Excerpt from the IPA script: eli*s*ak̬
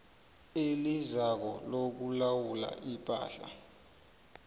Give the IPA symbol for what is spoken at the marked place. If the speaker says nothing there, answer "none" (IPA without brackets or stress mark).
z